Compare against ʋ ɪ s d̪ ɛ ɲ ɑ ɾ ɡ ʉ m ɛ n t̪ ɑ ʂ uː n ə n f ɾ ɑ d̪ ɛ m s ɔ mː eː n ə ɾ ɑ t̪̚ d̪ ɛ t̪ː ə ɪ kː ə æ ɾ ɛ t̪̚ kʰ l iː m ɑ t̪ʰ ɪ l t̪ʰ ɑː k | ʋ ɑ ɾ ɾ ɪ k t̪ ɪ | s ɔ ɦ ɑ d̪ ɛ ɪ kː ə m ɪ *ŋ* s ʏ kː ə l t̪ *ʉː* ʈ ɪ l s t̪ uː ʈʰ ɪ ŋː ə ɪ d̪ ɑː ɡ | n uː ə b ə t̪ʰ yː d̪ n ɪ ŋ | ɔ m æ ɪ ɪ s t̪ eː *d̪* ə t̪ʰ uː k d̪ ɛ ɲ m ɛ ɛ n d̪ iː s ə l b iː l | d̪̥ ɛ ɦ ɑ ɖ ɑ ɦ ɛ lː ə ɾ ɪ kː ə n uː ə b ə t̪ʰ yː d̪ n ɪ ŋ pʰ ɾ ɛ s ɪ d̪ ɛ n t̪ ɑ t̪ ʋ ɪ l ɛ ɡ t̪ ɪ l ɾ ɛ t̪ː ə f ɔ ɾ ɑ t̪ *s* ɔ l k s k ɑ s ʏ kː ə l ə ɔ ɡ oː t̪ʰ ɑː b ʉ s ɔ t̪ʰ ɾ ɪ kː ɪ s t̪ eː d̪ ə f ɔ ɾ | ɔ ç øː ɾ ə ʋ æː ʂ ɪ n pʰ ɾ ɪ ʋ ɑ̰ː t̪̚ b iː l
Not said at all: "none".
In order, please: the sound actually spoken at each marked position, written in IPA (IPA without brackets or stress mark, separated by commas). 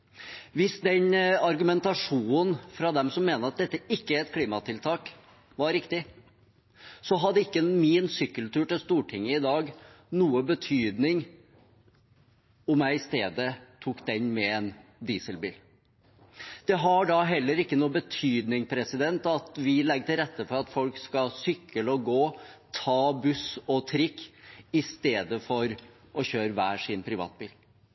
n, ʉː, d̪, f